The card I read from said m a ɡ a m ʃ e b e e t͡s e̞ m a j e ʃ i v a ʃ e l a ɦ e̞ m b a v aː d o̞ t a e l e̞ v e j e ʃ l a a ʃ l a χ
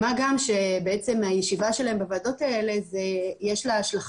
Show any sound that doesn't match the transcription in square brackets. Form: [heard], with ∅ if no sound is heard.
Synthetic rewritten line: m a ɡ a m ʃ e b e e t͡s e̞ m a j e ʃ i v a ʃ e l a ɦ e̞ m b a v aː d o̞ t a e l e̞ [z] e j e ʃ l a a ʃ l a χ